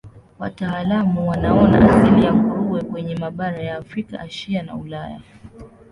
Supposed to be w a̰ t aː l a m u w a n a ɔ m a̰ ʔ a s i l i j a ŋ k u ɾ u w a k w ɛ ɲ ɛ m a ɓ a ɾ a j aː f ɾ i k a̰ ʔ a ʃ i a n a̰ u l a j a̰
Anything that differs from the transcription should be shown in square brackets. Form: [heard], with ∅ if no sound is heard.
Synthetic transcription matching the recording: w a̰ t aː l a m u w a n a ɔ [n] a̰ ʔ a s i l i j a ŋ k u ɾ u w [ɛ] k w ɛ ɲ ɛ m a ɓ a ɾ a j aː f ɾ i k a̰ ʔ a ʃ i a n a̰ u l a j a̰